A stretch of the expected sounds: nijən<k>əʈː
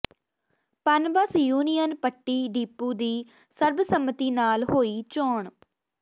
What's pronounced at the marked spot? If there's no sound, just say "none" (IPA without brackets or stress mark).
p